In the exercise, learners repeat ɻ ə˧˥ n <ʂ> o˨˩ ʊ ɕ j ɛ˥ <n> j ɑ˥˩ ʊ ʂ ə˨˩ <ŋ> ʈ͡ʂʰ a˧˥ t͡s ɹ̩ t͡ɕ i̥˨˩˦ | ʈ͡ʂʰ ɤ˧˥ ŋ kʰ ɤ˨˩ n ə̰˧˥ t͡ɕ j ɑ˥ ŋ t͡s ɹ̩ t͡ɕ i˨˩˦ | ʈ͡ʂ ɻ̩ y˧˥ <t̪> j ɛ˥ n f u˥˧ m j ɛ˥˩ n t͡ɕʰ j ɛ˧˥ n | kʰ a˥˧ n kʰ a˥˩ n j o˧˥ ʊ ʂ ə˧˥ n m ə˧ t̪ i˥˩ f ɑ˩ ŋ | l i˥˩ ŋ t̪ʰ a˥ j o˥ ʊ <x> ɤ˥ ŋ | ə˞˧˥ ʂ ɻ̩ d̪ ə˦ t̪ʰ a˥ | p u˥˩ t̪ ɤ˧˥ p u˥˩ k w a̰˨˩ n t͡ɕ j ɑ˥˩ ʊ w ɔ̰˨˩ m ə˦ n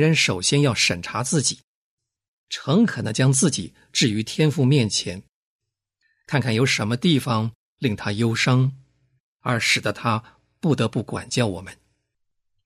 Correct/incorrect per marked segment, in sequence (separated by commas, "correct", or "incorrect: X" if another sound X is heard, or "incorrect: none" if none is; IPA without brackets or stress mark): correct, correct, incorrect: n, incorrect: t̪ʰ, incorrect: ʂ